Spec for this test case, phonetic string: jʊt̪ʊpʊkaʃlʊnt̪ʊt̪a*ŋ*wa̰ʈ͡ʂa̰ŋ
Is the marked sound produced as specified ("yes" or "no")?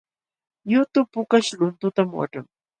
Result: no